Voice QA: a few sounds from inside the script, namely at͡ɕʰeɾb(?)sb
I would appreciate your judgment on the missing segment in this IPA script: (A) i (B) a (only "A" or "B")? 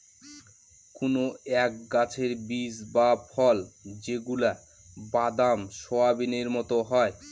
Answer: A